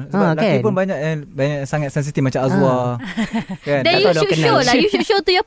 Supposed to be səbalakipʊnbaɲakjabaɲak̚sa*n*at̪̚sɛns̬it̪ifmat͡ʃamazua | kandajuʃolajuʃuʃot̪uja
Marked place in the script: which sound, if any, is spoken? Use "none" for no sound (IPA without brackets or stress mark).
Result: ŋ